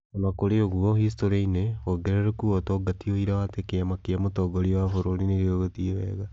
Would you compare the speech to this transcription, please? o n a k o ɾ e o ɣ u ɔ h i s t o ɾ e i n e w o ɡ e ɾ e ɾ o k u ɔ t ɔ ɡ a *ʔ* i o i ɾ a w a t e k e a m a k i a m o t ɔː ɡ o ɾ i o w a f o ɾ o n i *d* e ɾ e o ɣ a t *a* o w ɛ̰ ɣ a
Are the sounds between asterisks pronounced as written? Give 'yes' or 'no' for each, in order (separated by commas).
no, no, no